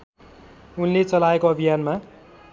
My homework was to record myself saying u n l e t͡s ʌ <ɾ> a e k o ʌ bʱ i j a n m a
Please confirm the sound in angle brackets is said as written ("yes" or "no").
no